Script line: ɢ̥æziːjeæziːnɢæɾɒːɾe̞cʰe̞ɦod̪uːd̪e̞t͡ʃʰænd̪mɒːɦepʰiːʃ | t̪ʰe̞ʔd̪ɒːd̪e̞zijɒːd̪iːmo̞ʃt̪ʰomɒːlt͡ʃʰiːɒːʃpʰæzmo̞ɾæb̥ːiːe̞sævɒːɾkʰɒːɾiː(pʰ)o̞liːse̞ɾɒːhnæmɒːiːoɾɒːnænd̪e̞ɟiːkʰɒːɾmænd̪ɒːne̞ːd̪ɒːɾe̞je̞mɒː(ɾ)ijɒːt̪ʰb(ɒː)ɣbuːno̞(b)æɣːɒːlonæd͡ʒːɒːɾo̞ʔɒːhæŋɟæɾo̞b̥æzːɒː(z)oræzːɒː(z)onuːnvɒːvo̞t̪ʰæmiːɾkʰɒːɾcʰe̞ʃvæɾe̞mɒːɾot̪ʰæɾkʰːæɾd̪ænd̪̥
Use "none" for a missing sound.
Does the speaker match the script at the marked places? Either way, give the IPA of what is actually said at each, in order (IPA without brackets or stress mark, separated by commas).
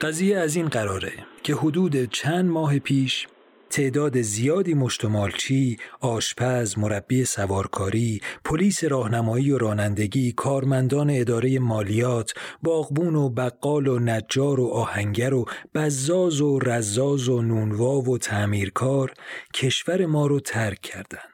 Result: pʰ, l, ɒː, b, z, z